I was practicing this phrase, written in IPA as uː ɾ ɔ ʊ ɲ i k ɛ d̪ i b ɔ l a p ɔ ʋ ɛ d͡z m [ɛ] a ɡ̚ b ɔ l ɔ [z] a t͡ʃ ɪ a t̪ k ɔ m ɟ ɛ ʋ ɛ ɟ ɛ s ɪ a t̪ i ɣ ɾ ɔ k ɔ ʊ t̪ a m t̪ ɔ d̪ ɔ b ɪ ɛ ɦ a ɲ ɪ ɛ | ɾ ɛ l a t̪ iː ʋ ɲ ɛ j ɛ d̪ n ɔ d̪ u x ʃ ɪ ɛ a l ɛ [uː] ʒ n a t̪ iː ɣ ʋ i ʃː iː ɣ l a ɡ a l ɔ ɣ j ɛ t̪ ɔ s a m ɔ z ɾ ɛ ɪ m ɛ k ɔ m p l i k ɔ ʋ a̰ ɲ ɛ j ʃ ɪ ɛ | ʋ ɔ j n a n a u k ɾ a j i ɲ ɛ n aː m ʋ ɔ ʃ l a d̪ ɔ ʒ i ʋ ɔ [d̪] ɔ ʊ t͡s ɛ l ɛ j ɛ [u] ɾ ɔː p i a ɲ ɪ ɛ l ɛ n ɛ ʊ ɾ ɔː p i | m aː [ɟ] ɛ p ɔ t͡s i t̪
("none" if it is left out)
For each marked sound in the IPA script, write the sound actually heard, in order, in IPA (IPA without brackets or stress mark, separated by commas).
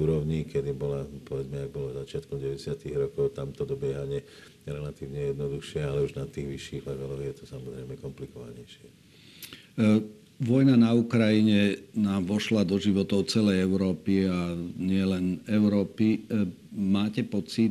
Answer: ɛ, z, u, t̪, ʊ, c